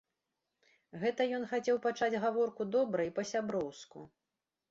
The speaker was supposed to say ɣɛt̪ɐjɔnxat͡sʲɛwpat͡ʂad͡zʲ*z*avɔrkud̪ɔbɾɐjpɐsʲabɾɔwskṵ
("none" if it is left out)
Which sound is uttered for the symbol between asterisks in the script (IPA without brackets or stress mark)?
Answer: ɣ